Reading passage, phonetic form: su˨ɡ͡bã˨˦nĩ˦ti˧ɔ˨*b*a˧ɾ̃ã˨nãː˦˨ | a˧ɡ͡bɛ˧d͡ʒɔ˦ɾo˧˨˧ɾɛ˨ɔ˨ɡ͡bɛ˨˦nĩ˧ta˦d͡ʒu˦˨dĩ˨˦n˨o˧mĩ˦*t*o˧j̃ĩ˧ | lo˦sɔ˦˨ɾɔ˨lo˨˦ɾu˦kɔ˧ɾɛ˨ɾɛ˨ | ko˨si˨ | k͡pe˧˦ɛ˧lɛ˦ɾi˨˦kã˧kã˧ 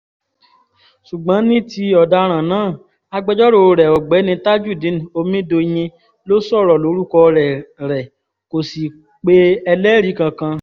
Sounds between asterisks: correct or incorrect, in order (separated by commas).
incorrect, incorrect